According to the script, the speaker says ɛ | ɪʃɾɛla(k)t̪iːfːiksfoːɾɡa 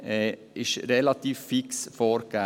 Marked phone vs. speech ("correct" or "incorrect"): incorrect